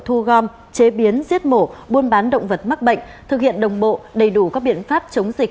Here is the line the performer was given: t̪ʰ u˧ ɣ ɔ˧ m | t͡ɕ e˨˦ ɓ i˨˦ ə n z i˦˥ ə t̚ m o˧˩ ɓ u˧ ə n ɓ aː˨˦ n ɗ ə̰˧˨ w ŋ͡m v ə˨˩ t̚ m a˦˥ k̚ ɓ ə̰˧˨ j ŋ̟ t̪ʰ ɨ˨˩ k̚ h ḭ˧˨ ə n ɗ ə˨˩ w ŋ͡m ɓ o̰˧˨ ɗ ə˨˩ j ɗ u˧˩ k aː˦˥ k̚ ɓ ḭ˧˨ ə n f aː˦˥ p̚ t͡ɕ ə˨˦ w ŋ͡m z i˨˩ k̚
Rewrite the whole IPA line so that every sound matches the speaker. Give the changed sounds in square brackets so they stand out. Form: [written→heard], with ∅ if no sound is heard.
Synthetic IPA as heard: t̪ʰ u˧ ɣ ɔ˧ m | t͡ɕ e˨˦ ɓ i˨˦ ə n z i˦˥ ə t̚ m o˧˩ ɓ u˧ ə n ɓ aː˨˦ n ɗ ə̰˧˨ w ŋ͡m v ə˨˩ t̚ m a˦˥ k̚ ɓ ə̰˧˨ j ŋ̟ t̪ʰ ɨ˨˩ k̚ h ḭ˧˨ ə n ɗ ə˨˩ w ŋ͡m ɓ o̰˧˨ ɗ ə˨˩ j ɗ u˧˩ k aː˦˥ k̚ ɓ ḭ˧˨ ə n f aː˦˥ p̚ t͡ɕ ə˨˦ w ŋ͡m z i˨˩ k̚

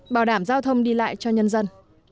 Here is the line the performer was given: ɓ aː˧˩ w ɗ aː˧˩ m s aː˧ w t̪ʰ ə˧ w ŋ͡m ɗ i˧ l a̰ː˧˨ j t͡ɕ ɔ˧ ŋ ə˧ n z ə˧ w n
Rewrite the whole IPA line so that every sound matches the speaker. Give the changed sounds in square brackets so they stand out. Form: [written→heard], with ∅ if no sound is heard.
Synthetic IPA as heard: ɓ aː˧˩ w ɗ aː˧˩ m [s→z] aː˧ w t̪ʰ ə˧ w ŋ͡m ɗ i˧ l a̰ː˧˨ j t͡ɕ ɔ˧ [ŋ→ɲ] ə˧ n z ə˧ [w→∅] n

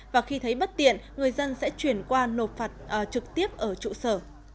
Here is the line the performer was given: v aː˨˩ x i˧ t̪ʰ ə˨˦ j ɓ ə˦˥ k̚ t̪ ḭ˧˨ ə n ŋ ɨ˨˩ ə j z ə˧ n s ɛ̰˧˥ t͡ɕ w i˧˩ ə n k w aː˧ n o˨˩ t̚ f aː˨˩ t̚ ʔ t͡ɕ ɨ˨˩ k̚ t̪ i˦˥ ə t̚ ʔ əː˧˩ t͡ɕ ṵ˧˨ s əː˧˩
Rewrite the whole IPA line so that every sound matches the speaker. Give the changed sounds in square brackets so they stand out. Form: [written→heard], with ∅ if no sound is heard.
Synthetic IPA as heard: v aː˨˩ x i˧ t̪ʰ ə˨˦ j ɓ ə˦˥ [k̚→t̚] t̪ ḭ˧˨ ə n ŋ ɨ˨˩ ə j z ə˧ n s ɛ̰˧˥ t͡ɕ w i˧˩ ə n k w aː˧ n o˨˩ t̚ f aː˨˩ t̚ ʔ t͡ɕ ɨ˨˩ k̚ t̪ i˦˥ ə [t̚→p̚] ʔ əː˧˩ t͡ɕ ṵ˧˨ s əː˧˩

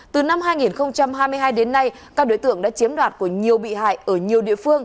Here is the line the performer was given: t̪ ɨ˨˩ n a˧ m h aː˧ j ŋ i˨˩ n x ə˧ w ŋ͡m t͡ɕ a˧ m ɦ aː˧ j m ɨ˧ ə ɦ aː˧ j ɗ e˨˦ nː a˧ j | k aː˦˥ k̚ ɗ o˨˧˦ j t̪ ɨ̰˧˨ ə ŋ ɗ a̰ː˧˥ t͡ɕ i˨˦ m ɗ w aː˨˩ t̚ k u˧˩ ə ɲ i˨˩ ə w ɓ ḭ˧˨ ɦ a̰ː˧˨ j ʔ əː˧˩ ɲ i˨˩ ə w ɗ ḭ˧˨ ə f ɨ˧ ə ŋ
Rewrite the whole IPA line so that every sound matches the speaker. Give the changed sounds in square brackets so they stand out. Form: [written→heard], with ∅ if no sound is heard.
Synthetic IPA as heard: t̪ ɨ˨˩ n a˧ m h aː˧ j ŋ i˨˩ n x ə˧ w ŋ͡m t͡ɕ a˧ m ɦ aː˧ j m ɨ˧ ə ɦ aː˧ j ɗ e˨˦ nː a˧ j | k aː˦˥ k̚ ɗ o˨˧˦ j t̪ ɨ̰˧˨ ə ŋ ɗ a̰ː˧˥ t͡ɕ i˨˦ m ɗ w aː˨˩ t̚ k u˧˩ ə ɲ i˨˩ ə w ɓ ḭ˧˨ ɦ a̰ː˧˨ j ʔ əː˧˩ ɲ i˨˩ ə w ɗ ḭ˧˨ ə f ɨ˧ ə ŋ

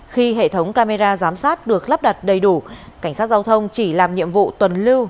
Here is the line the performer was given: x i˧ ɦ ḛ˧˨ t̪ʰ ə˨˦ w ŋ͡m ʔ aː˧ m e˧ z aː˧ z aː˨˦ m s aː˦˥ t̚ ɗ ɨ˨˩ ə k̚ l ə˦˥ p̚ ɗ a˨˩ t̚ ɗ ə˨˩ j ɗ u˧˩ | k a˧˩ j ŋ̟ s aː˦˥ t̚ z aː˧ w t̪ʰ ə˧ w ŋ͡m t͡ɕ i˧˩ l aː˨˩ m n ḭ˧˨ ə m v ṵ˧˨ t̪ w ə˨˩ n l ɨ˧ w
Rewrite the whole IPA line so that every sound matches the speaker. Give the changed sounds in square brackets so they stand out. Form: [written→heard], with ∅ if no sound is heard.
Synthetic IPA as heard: x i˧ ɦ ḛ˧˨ t̪ʰ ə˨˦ w ŋ͡m [ʔ→k] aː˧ m e˧ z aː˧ z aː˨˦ m s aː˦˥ t̚ ɗ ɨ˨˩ ə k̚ l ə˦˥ p̚ ɗ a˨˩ t̚ ɗ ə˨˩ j ɗ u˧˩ | k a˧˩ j ŋ̟ s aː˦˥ t̚ z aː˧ w t̪ʰ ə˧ w ŋ͡m t͡ɕ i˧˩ l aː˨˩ m [n→ɲ] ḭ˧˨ ə m v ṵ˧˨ t̪ w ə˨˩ n l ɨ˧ w

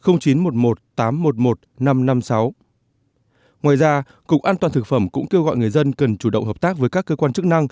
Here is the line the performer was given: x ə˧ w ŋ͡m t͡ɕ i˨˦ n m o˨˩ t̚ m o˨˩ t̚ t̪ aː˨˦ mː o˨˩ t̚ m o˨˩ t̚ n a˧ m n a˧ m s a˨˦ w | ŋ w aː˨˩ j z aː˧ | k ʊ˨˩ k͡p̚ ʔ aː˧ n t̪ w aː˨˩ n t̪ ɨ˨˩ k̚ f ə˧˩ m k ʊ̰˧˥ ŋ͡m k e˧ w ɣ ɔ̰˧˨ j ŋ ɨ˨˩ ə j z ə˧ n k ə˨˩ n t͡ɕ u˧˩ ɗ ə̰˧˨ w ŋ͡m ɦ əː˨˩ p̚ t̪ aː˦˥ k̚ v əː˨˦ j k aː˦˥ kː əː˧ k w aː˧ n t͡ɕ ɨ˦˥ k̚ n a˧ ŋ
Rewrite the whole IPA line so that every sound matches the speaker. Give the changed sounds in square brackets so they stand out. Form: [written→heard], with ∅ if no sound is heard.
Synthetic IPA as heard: x ə˧ w ŋ͡m t͡ɕ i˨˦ n m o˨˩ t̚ m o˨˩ t̚ t̪ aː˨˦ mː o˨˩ t̚ m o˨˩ t̚ n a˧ m n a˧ m s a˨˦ w | ŋ w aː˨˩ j z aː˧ | k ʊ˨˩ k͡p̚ ʔ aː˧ n t̪ w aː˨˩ n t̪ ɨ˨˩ k̚ f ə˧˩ m k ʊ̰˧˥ ŋ͡m k e˧ w ɣ ɔ̰˧˨ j ŋ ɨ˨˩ ə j z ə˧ n k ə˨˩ n t͡ɕ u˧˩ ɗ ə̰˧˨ w ŋ͡m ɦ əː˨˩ p̚ t̪ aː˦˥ k̚ v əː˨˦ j k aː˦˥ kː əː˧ k w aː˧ n t͡ɕ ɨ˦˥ k̚ n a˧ ŋ

